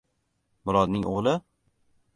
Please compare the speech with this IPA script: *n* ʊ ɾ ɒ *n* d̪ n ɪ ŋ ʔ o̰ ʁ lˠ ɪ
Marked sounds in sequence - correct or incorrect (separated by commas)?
incorrect, incorrect